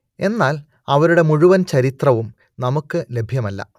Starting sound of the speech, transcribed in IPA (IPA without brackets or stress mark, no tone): e̞